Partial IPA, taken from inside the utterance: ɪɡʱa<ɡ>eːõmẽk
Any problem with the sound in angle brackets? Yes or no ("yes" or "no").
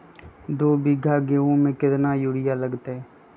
no